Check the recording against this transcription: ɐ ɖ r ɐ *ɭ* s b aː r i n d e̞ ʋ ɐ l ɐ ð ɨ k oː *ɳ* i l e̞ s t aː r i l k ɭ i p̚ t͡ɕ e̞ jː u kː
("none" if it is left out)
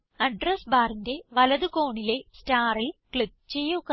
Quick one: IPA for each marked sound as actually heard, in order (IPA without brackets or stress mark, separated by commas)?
none, ɳ